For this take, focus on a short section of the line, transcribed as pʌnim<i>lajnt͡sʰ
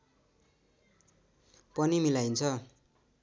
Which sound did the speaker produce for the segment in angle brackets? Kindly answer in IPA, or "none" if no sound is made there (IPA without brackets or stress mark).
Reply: i